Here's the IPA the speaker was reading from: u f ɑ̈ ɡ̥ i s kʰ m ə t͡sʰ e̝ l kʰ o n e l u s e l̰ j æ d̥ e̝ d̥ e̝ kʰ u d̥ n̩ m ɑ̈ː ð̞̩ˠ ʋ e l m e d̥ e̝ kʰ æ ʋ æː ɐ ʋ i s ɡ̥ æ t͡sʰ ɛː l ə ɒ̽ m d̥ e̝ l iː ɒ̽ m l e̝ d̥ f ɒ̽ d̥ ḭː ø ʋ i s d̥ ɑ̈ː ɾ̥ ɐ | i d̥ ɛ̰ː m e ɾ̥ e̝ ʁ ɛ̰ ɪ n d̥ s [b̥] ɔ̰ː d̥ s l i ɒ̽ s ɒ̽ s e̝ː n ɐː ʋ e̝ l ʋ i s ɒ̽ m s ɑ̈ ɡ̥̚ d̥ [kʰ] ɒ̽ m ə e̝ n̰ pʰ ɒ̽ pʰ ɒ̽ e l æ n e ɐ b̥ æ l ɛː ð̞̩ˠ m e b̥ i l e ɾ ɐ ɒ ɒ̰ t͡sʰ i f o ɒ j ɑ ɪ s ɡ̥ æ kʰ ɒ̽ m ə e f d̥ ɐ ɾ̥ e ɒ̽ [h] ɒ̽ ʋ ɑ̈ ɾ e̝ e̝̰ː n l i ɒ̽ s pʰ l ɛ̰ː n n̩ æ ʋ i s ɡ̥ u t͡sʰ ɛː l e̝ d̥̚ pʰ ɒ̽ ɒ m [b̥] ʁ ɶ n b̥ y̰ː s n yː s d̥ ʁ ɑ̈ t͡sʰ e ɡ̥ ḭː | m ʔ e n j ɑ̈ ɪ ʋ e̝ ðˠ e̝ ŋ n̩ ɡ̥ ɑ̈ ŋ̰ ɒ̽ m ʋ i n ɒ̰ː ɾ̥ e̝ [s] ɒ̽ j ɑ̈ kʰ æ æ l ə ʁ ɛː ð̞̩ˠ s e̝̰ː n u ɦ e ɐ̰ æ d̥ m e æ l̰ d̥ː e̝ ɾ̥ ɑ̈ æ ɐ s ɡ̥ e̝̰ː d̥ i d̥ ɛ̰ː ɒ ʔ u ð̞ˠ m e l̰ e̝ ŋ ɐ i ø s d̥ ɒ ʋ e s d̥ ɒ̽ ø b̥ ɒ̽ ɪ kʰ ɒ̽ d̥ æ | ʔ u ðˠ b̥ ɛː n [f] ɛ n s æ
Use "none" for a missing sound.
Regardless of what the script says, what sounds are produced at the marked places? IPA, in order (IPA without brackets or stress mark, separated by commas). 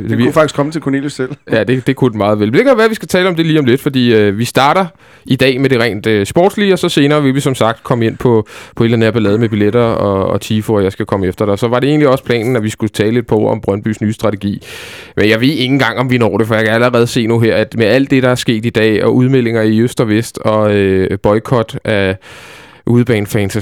b̥, kʰ, s, b̥, f, f